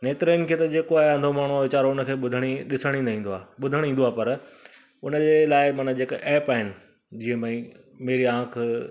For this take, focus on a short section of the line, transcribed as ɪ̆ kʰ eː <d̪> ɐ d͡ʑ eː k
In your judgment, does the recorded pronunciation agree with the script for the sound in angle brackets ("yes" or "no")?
no